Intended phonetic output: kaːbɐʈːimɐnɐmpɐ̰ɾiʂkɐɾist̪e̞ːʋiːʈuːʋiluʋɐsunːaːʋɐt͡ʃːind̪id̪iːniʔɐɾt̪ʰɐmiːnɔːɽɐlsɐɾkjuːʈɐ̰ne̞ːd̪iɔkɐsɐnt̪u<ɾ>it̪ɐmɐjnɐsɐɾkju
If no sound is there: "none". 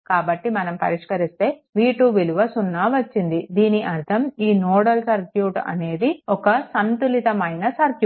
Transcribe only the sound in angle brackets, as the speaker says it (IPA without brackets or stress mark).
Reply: l